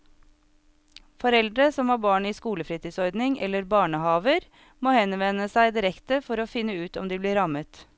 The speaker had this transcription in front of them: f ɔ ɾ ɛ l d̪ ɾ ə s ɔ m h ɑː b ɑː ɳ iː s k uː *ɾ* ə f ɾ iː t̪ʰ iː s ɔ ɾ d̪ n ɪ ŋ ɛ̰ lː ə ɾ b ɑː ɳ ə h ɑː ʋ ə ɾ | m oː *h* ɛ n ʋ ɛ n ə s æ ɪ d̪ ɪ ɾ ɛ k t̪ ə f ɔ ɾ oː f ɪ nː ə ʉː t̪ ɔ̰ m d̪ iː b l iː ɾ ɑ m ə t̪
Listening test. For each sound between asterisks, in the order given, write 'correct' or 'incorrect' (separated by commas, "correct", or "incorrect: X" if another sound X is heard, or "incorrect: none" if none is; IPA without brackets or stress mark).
incorrect: l, correct